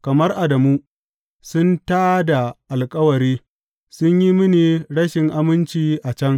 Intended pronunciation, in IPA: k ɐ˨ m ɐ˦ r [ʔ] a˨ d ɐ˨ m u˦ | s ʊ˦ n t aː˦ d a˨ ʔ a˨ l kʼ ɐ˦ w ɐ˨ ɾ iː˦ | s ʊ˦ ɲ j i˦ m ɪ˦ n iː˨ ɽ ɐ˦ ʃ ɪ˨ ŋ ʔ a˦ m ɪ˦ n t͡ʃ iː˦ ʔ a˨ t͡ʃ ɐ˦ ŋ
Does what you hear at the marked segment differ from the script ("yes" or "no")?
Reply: no